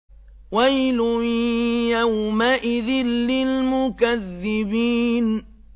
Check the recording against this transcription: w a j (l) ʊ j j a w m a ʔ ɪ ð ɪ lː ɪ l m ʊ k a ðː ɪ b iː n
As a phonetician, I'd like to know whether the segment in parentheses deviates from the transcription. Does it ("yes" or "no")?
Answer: no